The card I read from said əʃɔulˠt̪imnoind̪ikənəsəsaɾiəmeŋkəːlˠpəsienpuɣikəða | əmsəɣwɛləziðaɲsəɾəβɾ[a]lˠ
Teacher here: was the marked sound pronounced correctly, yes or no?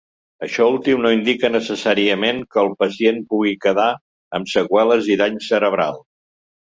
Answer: yes